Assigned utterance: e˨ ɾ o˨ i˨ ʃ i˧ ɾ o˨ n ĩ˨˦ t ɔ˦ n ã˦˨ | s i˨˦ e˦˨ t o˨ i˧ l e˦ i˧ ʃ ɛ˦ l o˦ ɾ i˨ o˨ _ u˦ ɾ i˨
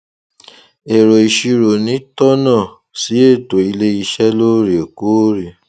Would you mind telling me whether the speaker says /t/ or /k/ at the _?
k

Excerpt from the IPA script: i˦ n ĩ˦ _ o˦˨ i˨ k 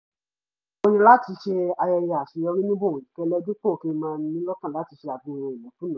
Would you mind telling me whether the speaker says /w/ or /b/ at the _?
b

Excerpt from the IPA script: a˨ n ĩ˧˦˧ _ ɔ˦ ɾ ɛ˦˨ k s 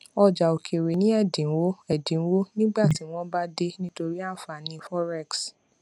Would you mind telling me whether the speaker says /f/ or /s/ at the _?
f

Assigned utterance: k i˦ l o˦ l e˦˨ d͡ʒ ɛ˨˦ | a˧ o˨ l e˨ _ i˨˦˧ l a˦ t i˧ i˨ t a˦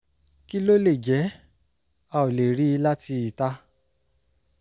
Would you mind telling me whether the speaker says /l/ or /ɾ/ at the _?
ɾ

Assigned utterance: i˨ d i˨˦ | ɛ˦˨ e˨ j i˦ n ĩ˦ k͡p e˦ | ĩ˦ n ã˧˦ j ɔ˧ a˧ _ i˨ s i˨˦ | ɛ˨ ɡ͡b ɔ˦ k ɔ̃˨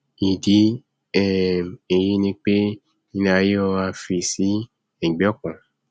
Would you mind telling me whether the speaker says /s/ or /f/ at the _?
f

